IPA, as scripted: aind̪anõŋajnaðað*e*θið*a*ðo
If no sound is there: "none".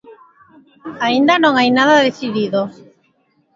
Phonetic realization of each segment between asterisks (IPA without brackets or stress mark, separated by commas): e, i